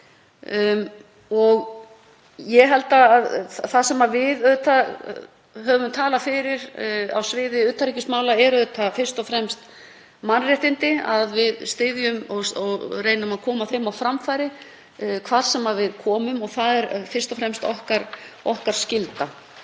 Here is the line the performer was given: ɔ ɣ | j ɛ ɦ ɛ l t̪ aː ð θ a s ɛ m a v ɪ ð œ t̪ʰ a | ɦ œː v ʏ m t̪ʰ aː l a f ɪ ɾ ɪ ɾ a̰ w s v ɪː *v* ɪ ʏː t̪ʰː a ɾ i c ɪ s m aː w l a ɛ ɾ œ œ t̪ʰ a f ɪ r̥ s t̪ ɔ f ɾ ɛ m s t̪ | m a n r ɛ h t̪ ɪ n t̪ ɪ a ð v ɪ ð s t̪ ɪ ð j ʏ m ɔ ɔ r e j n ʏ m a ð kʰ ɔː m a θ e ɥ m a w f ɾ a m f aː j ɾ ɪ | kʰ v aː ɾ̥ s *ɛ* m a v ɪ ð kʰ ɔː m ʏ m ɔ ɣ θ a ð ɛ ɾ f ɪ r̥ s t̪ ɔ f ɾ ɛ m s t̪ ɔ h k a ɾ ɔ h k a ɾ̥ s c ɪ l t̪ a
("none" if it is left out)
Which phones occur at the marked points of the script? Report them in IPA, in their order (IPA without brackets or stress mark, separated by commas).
ð, ɛ